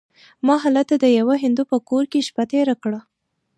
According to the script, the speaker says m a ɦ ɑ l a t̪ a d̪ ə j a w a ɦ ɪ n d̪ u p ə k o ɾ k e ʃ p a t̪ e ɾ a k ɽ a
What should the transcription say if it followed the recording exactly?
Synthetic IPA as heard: m ɑ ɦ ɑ l a t̪ a d̪ ə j a w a ɦ ɪ n d̪ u p ə k o ɾ k e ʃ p a t̪ e ɾ a k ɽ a